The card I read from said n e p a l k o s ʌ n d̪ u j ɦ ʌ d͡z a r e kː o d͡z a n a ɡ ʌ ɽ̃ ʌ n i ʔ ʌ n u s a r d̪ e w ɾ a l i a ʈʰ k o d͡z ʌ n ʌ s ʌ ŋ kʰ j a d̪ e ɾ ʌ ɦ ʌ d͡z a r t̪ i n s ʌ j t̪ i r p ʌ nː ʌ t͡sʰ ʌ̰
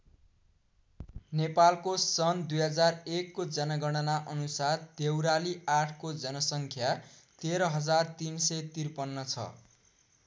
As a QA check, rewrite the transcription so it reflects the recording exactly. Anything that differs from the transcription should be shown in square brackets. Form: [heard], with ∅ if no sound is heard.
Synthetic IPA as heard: n e p a l k o s ʌ n d̪ u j ɦ ʌ d͡z a r e kː o d͡z [ʌ] n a ɡ ʌ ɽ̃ ʌ n [a] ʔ ʌ n u s a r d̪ e w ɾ a l i a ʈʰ k o d͡z ʌ n ʌ s ʌ ŋ kʰ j a [t̪] e ɾ ʌ ɦ ʌ d͡z a r t̪ i n s ʌ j t̪ i r p ʌ nː ʌ t͡sʰ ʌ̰